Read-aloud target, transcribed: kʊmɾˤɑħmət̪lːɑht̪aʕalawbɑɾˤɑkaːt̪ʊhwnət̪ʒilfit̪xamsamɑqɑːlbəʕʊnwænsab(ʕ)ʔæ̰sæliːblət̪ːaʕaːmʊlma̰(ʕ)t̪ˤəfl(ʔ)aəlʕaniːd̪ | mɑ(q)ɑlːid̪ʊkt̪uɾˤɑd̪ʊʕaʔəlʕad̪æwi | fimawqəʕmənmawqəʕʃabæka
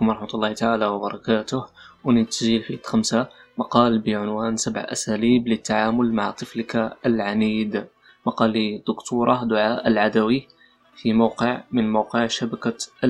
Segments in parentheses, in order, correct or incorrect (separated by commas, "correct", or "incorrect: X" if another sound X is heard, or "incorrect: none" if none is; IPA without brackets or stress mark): correct, correct, incorrect: k, correct